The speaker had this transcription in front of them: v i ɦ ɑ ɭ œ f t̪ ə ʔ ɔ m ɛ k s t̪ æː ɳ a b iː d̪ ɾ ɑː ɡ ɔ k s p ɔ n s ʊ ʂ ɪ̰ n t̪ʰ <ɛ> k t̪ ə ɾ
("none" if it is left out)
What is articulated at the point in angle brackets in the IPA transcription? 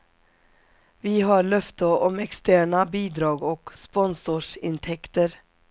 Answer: ɛ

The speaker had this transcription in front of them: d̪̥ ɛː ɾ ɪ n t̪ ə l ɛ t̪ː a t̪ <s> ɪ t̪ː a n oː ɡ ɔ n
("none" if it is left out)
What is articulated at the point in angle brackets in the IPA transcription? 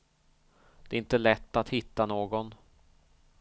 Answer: h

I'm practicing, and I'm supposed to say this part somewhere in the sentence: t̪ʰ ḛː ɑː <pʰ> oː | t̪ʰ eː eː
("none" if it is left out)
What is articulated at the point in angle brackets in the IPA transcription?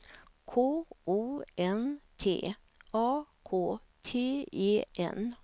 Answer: kʰ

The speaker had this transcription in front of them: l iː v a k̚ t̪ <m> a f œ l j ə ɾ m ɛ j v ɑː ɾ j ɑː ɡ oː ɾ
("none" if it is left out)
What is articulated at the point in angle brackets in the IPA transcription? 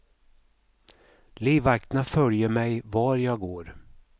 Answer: n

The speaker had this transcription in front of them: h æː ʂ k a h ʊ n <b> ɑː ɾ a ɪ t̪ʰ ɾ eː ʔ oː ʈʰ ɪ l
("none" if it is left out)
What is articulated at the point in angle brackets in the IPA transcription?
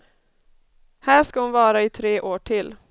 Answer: v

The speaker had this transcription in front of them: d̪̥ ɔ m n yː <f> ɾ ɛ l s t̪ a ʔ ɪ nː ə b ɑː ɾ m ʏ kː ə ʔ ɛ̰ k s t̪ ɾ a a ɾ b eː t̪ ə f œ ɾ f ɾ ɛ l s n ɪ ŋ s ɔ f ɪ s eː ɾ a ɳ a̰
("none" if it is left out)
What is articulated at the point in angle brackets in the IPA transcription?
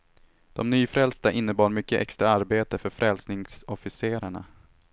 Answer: f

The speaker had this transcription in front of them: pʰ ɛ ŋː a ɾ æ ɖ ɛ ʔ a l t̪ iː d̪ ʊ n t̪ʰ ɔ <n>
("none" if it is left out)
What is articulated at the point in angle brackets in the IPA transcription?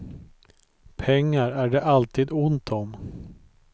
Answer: m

